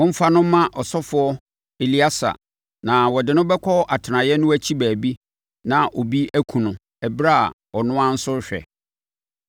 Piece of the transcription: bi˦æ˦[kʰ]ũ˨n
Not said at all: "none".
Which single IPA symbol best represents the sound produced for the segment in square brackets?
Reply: kʰ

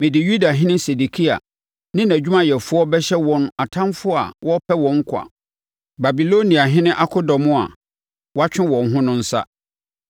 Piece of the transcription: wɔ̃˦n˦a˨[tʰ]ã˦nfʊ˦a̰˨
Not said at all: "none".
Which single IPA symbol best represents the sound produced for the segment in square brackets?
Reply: tʰ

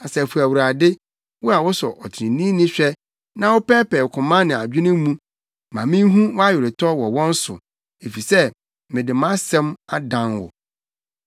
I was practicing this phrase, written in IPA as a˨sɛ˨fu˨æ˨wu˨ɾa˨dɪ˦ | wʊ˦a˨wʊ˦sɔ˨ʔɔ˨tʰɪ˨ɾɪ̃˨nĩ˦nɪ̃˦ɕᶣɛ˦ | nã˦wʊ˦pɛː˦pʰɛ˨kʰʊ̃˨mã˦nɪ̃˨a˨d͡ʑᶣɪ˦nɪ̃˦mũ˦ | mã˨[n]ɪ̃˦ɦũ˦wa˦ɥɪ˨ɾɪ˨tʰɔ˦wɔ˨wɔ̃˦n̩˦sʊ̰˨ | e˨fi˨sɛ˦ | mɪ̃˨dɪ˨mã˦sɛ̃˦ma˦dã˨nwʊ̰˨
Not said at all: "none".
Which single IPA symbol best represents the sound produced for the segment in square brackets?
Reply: m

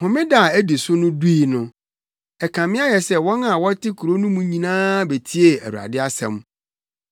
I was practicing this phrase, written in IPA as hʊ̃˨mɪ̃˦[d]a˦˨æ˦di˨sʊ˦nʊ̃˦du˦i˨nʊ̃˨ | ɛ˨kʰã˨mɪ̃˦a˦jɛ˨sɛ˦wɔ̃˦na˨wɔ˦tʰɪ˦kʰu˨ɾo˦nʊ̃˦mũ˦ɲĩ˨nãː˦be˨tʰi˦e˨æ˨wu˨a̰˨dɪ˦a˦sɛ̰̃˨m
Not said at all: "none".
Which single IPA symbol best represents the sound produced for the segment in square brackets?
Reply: d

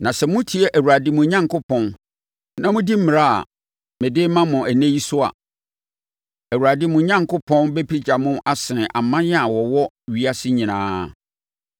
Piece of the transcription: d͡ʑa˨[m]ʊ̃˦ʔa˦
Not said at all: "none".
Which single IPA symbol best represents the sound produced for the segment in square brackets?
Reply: m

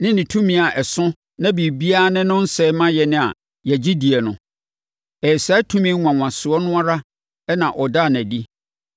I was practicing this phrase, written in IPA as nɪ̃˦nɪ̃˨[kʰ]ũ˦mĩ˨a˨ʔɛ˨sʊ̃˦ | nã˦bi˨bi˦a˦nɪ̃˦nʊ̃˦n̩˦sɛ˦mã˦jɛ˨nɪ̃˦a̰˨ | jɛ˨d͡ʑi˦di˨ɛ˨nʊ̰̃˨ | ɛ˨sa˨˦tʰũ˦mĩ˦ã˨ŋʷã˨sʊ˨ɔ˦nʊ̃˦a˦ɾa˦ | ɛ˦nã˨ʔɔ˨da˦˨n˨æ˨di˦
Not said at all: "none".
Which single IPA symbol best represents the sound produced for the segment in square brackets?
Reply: tʰ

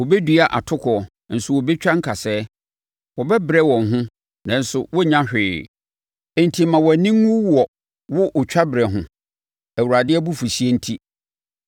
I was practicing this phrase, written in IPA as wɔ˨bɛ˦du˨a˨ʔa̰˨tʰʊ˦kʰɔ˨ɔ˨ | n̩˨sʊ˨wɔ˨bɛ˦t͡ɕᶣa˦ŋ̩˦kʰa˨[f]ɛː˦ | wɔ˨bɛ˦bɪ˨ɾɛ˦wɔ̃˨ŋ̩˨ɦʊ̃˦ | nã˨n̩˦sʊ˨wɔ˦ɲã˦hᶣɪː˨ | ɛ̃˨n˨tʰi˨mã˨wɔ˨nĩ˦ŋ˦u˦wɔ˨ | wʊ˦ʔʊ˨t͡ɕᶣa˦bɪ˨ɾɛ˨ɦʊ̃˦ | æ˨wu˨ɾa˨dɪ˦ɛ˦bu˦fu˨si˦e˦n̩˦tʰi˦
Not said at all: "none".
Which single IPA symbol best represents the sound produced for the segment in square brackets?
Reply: s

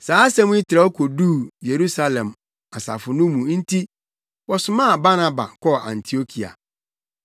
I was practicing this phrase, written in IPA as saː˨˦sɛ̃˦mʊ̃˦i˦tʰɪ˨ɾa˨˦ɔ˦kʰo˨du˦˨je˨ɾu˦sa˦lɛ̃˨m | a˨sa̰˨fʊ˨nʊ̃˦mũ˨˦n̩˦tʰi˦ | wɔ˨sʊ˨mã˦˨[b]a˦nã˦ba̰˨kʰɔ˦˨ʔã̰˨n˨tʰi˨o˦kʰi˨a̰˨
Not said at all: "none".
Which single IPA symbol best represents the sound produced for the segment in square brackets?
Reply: b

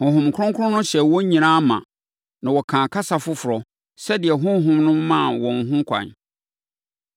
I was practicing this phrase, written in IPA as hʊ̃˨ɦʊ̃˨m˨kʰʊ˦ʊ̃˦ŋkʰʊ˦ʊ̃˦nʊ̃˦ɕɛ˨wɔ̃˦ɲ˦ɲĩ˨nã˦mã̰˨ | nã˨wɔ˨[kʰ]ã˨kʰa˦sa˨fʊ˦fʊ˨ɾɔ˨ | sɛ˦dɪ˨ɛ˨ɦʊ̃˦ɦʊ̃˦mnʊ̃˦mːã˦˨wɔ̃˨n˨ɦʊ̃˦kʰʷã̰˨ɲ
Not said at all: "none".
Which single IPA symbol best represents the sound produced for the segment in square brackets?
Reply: kʰ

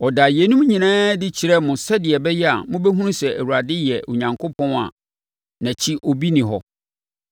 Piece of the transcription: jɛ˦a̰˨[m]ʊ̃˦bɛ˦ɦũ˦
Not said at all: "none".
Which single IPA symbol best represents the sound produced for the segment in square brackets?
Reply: m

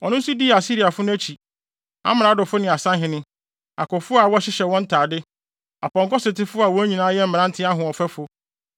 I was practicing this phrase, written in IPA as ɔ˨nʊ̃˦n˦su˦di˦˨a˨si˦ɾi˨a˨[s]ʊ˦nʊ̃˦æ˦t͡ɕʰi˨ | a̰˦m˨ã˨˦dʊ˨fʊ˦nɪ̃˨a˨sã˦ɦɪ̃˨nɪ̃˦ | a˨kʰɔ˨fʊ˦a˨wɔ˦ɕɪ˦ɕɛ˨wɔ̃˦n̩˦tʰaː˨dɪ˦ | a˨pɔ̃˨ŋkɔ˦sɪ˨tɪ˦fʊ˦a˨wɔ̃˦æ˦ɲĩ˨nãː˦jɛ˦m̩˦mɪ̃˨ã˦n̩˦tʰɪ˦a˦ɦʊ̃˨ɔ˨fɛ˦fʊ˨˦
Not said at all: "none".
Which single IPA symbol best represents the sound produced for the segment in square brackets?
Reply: f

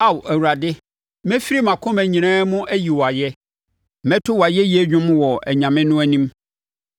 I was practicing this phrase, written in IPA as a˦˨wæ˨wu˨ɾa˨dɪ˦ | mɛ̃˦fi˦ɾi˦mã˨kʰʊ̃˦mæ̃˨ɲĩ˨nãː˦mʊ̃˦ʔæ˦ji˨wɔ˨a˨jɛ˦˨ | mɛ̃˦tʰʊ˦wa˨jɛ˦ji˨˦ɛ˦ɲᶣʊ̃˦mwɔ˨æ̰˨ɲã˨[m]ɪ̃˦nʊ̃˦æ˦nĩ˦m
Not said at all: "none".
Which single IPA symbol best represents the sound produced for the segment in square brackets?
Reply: m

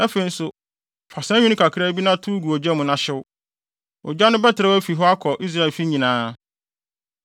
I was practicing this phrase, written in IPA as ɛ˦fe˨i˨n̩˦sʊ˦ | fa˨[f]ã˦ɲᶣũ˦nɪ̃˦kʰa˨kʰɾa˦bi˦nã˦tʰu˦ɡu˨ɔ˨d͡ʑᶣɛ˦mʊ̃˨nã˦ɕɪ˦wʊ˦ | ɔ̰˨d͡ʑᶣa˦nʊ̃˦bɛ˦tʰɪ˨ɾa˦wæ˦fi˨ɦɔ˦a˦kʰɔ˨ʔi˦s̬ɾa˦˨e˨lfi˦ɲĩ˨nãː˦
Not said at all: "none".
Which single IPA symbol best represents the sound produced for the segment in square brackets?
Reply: s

